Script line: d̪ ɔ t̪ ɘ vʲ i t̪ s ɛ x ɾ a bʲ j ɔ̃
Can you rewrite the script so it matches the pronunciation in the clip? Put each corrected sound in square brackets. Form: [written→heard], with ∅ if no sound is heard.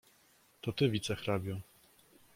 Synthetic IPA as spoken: [d̪→t̪] ɔ t̪ ɘ vʲ i t̪ s ɛ x ɾ a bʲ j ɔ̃